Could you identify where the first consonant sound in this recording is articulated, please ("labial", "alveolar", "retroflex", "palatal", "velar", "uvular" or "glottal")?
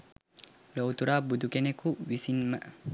alveolar